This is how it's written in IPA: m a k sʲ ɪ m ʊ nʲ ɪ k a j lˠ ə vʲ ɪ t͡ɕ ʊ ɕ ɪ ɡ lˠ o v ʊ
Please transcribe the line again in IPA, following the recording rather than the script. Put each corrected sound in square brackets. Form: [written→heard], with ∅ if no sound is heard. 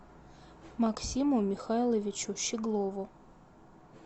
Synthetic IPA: m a k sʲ [ɪ→i] m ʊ [nʲ→mʲ] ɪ [k→x] a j lˠ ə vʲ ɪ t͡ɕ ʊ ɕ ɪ ɡ lˠ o v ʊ

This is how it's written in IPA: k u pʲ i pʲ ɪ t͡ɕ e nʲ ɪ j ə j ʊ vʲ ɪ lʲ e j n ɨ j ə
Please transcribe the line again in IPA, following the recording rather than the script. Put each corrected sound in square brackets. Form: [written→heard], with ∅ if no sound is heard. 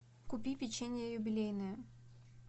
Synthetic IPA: k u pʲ i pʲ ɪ t͡ɕ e nʲ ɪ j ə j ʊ [vʲ→bʲ] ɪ lʲ e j n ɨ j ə

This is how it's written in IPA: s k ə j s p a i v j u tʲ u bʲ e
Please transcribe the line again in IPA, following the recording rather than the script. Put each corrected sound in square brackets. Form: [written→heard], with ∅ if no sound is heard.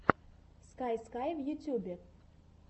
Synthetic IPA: s k [ə→a] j s [p→k] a [i→j] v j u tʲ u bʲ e

